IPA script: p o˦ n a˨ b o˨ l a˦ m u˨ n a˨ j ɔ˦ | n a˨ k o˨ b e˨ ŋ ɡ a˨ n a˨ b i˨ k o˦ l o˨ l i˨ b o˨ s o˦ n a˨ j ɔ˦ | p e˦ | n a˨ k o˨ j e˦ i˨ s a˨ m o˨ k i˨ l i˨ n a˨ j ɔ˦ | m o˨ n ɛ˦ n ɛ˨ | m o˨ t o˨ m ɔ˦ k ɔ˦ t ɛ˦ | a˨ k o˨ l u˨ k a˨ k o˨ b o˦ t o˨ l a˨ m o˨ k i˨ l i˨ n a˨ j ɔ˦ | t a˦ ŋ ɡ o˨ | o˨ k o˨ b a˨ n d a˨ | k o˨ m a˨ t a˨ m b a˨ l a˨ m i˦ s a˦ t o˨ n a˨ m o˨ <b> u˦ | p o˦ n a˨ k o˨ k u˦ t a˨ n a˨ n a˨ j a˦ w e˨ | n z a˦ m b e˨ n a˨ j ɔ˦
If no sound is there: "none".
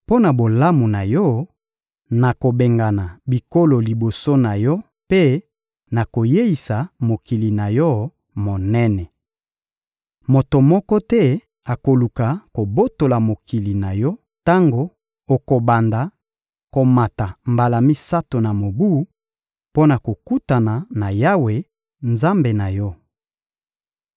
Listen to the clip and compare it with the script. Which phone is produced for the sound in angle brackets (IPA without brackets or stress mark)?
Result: b